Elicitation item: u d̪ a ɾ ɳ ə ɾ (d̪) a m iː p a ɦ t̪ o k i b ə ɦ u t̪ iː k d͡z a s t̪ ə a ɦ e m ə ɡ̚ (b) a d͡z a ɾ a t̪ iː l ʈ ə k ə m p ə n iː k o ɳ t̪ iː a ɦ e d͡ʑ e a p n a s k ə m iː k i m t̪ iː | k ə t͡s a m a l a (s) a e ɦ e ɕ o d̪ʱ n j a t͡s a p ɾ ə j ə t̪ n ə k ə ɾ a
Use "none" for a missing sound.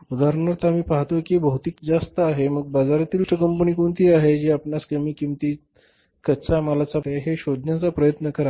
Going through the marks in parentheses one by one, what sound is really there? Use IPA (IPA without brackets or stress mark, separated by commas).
t̪, b, t͡s